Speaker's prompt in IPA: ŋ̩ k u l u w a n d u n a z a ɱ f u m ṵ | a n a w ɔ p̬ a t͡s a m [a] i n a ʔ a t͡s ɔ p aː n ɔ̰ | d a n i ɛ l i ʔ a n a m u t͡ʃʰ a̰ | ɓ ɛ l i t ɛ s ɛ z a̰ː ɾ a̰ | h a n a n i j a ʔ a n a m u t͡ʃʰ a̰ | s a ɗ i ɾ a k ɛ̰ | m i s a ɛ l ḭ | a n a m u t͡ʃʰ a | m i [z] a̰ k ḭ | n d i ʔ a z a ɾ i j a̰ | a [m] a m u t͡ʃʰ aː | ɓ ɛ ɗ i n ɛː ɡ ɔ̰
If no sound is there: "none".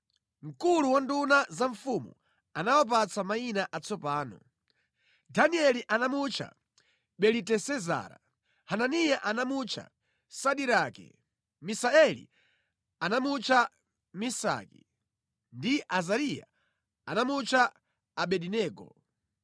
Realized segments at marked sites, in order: a, s, n

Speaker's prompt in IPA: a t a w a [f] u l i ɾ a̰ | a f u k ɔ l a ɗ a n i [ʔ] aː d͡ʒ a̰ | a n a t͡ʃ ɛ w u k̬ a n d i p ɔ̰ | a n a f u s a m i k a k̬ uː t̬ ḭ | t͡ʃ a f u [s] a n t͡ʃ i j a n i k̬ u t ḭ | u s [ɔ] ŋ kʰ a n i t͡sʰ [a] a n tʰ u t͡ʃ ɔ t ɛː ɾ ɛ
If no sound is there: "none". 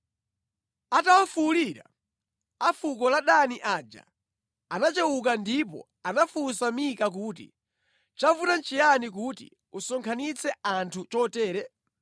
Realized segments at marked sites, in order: f, ʔ, t, ɔ, ɛ

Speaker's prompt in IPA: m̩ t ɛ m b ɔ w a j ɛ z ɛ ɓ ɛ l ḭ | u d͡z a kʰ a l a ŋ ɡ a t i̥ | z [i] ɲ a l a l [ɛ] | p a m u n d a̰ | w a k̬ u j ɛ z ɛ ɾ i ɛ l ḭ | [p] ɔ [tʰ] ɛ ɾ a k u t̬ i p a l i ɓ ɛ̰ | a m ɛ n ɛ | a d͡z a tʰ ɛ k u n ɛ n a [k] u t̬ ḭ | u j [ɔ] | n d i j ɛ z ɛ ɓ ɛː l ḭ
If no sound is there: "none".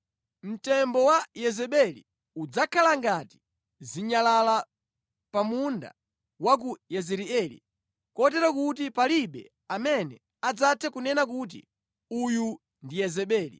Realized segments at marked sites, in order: i, a, k, t, k, u

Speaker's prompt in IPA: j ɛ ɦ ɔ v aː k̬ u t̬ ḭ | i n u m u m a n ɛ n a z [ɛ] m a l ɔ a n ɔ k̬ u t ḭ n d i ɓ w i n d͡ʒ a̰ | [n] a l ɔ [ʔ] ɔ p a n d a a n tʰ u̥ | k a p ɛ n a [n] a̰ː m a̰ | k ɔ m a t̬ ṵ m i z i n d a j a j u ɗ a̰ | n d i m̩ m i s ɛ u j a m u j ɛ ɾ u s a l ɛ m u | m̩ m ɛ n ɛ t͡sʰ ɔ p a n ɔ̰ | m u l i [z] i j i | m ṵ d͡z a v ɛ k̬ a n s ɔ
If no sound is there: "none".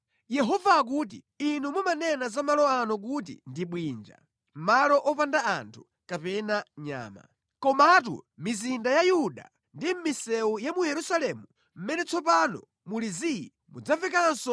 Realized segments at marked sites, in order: a, m, ʔ, ɲ, z

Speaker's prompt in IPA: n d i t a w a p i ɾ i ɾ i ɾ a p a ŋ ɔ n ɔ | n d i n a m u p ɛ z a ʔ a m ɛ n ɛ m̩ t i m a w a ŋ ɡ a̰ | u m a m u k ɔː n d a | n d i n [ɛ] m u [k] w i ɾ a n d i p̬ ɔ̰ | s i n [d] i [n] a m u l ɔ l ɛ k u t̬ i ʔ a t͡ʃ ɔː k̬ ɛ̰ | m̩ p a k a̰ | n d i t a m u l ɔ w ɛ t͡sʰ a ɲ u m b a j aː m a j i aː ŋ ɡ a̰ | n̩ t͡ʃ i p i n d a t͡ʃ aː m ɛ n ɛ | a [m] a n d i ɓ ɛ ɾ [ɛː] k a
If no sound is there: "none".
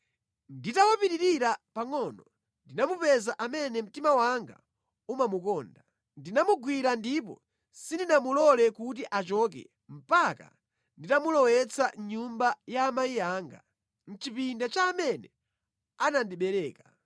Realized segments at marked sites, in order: a, ɡ, d, n, n, ɛː

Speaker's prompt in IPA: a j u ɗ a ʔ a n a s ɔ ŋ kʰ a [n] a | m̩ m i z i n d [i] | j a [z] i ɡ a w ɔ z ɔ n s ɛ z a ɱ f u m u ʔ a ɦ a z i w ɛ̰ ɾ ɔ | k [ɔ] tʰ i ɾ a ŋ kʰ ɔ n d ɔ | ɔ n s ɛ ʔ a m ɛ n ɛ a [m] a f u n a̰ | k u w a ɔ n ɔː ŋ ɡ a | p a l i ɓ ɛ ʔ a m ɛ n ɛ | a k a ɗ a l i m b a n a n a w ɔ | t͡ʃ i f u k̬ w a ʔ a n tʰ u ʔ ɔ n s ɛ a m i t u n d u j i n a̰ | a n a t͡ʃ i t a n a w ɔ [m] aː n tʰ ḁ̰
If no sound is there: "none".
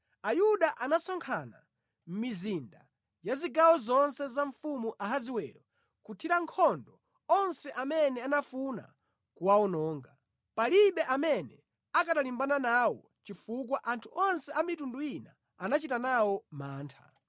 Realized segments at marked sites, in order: n, a, z, u, n, m

